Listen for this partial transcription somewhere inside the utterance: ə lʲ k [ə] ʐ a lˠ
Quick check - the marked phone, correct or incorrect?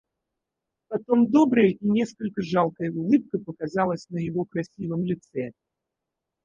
correct